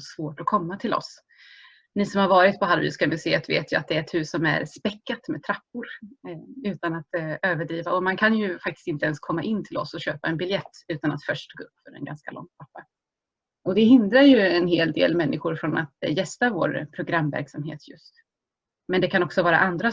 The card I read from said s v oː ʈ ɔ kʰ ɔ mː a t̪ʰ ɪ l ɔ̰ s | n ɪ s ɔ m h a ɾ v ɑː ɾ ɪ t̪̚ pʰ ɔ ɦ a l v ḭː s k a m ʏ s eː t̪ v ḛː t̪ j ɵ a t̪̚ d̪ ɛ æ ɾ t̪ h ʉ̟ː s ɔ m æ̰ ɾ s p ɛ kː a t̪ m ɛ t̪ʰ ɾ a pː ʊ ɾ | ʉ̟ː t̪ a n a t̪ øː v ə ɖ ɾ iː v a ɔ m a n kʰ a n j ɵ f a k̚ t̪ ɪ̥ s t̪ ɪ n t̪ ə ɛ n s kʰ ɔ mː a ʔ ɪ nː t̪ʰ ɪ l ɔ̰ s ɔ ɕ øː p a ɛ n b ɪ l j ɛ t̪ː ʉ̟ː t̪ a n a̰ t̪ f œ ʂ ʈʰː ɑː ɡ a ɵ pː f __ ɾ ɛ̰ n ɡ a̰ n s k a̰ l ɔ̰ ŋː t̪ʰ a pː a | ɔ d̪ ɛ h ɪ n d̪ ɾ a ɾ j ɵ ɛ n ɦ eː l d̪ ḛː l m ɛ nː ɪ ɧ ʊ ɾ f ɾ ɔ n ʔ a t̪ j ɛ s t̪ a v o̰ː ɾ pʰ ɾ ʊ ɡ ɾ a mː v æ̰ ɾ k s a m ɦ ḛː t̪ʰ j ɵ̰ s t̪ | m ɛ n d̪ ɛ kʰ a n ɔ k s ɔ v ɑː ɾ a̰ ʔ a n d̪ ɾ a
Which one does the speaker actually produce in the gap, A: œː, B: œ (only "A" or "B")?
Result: B